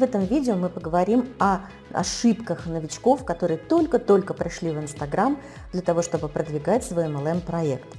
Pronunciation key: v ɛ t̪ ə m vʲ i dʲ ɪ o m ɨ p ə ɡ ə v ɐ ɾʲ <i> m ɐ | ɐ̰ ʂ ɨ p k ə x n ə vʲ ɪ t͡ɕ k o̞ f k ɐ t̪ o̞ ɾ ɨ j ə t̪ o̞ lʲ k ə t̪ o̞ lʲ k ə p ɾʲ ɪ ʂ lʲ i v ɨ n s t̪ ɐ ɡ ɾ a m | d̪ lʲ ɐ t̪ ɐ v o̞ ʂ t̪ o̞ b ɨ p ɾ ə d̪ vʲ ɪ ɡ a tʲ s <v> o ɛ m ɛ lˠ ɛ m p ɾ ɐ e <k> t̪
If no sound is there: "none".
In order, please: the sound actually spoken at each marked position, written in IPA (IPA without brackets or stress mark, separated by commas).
i, v, k